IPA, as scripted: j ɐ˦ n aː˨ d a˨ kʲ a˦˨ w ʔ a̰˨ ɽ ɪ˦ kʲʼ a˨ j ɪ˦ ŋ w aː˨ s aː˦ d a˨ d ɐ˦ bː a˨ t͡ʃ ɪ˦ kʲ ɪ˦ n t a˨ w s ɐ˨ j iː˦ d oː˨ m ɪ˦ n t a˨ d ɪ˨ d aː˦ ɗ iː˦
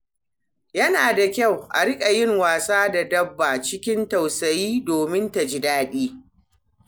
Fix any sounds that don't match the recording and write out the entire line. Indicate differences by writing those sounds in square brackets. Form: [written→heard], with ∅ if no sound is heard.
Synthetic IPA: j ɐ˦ n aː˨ d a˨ kʲ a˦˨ w ʔ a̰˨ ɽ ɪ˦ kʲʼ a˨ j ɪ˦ ŋ w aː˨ s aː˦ d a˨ d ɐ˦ bː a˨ t͡ʃ ɪ˦ kʲ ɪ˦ n t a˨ w s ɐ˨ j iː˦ d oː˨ m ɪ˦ n t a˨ [d→d͡ʒ] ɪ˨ d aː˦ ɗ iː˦